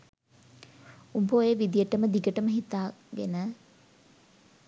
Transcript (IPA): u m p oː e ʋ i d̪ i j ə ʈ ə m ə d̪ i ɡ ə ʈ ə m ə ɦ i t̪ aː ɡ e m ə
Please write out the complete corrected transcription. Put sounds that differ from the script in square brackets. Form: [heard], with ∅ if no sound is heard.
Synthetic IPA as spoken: u m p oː e ʋ i d̪ i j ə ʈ ə m ə d̪ i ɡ ə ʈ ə m ə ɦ i t̪ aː ɡ e [n] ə